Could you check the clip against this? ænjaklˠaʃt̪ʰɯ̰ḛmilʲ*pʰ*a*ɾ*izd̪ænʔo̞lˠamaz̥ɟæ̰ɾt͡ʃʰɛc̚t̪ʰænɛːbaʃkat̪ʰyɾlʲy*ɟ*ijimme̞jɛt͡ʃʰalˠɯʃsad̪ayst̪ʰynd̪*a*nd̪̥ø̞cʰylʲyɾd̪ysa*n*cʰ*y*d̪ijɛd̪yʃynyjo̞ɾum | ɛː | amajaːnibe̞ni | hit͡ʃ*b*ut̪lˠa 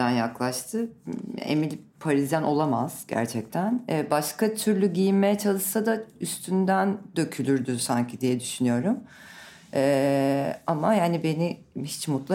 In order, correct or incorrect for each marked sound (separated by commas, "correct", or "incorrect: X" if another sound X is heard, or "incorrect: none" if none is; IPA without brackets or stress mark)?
correct, correct, correct, incorrect: æ, incorrect: ɲ, incorrect: i, incorrect: m